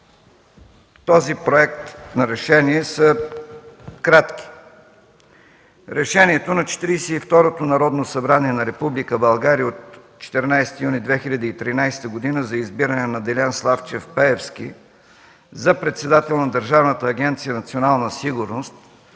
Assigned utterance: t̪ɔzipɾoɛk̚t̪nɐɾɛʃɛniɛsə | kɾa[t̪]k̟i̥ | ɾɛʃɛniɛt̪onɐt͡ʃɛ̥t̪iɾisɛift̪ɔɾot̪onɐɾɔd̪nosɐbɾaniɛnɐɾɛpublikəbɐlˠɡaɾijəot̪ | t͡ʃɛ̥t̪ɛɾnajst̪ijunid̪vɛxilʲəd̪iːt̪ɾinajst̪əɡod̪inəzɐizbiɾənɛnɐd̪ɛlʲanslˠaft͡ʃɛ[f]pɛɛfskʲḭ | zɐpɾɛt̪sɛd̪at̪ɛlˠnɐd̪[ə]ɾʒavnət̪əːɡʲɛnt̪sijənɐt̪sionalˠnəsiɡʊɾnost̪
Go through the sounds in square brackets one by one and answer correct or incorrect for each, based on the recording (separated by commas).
correct, correct, correct